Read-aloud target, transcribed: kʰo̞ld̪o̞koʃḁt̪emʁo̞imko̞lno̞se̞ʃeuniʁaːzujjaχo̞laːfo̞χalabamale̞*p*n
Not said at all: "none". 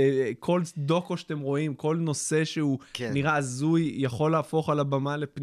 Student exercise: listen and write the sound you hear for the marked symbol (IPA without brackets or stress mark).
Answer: p